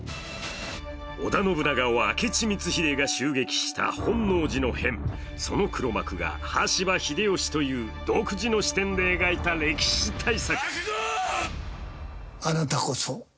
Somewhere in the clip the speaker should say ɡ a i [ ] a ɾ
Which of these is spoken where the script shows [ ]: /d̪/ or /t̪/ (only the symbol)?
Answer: t̪